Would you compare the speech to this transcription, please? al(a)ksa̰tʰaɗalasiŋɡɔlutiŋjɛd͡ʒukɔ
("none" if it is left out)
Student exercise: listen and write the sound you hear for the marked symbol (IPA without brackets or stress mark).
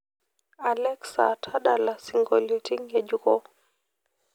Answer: ɛ